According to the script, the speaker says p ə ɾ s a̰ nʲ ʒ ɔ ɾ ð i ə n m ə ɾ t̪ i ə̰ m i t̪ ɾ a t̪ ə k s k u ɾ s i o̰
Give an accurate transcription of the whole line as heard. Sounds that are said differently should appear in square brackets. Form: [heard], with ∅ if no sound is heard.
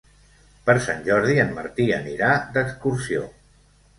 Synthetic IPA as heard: p ə ɾ s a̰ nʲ ʒ ɔ ɾ ð i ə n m ə ɾ t̪ i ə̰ [n] i [∅] ɾ a [d̪] ə k s k u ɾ s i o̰